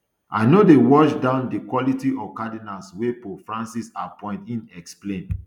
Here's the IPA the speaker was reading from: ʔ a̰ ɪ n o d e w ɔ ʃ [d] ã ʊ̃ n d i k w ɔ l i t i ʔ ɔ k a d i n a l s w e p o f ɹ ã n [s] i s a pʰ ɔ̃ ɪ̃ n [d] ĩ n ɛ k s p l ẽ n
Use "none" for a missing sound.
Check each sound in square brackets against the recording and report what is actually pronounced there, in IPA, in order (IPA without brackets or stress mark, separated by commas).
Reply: d, s, t